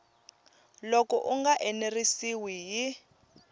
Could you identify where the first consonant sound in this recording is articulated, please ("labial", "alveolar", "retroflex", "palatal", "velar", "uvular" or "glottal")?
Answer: alveolar